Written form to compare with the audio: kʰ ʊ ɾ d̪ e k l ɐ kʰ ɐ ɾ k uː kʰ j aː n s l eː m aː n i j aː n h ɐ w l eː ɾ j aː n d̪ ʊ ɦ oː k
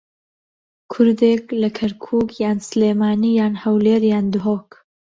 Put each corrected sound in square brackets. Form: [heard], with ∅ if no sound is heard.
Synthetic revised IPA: kʰ ʊ ɾ d̪ e k l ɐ kʰ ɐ ɾ [kʰ] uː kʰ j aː n s l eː m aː n i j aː n h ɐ w l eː ɾ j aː n d̪ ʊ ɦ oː k